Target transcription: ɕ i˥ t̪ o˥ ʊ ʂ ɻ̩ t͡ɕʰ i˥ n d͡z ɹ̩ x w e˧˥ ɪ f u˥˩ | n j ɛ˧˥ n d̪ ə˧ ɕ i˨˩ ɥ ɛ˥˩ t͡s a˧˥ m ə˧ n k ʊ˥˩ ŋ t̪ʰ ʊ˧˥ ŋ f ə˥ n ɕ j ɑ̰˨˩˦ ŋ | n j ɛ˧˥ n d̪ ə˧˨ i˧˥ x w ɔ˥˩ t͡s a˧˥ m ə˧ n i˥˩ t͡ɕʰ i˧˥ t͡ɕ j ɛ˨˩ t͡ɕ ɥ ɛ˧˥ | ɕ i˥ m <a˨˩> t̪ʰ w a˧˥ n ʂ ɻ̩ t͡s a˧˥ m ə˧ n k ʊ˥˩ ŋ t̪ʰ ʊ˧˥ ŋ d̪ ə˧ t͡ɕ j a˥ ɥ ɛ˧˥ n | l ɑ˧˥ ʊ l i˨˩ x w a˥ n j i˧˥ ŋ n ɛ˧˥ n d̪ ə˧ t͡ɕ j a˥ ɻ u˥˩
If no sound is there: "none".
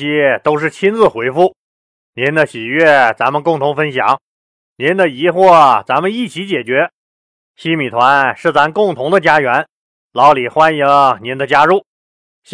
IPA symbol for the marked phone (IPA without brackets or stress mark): i˨˩